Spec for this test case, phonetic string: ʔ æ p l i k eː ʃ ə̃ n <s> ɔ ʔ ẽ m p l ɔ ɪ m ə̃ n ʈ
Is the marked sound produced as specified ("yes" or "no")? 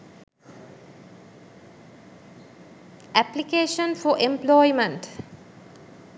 no